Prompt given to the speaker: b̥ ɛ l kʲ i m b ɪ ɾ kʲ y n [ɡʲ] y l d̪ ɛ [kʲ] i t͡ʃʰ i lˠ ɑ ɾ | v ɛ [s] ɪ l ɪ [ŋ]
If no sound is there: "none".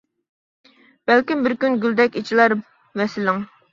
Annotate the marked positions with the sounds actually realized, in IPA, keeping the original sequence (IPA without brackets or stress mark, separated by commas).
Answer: ɡʲ, kʲ, s, ŋ